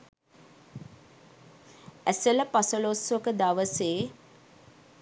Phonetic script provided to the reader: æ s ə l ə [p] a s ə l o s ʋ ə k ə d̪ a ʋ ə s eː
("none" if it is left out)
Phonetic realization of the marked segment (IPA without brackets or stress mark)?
p